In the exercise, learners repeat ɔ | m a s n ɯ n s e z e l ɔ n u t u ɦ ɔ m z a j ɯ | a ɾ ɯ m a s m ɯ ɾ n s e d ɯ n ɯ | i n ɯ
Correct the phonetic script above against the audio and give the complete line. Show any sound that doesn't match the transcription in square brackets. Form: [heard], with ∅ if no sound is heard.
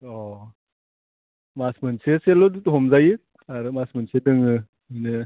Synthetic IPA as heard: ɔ | m a s [m] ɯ n s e [s] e l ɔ [d] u t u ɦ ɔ m z a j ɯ | a ɾ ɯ m a s m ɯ [∅] n s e d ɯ [ŋ] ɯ | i n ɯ